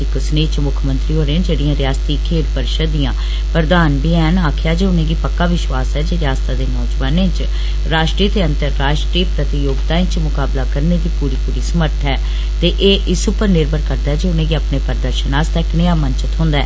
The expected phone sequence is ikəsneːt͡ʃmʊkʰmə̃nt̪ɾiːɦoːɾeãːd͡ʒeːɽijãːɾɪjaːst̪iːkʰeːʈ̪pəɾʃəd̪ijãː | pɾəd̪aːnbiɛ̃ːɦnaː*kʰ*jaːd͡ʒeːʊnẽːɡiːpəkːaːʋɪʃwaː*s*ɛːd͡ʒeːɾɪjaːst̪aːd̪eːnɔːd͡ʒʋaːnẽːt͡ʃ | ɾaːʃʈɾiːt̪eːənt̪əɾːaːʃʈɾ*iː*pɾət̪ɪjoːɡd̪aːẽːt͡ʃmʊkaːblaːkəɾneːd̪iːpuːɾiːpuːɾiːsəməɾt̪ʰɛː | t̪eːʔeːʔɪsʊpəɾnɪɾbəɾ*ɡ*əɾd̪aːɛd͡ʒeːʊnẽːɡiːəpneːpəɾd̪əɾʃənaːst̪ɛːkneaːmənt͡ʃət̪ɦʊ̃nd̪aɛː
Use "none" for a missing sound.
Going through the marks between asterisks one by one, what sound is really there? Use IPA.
kʰ, s, iː, k

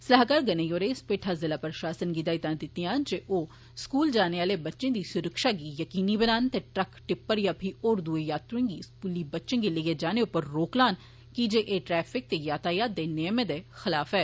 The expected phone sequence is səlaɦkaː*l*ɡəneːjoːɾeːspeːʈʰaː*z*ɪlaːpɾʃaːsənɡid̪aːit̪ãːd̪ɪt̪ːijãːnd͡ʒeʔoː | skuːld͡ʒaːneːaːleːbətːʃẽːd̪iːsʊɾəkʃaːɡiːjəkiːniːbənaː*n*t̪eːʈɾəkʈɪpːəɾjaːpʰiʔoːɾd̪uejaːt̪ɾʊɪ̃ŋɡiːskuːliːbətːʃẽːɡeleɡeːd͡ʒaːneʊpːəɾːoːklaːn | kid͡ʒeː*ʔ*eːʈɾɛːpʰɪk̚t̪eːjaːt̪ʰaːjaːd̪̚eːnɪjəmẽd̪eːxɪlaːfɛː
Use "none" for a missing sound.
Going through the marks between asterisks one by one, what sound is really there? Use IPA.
ɾ, z, n, ʔ

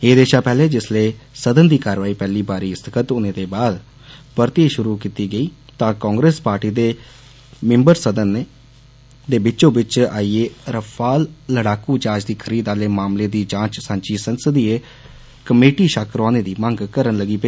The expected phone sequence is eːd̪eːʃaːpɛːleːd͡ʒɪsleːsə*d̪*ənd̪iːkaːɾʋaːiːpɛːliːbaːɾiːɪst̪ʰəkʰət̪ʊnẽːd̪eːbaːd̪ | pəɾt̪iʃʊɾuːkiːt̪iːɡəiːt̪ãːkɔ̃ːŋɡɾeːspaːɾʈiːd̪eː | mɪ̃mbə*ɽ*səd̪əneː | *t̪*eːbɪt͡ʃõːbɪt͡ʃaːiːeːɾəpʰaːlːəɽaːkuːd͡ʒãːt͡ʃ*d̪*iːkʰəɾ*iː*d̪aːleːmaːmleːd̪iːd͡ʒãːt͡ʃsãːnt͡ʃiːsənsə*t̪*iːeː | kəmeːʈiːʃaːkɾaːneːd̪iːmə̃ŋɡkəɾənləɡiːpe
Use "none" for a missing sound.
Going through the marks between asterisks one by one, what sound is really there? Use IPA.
d̪, ɾ, d̪, d̪, iː, d̪

